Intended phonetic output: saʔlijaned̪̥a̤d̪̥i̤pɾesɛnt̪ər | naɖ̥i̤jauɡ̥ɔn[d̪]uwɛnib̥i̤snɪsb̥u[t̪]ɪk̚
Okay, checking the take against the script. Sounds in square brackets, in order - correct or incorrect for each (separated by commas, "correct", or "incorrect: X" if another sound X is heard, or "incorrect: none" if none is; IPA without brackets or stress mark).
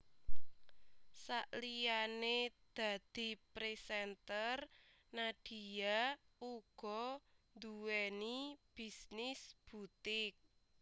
correct, correct